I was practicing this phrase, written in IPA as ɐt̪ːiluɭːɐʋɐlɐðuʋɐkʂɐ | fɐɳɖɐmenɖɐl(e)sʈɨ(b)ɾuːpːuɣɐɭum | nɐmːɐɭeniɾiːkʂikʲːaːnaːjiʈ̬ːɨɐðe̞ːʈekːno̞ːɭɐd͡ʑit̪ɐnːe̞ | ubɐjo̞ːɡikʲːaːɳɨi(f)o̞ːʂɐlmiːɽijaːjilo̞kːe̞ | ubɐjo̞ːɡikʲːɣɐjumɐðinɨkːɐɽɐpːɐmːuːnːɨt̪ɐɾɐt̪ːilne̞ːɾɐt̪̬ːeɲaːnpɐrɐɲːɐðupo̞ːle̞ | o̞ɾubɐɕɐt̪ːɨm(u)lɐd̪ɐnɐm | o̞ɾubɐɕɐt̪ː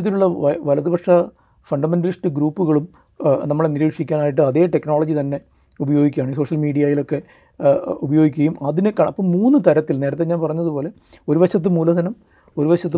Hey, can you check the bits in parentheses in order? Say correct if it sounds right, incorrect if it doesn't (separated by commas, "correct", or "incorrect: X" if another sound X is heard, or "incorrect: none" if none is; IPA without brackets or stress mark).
incorrect: i, incorrect: ɡ, incorrect: s, incorrect: uː